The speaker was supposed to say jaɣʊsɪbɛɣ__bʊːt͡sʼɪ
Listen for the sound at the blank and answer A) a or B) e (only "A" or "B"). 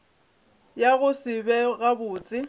A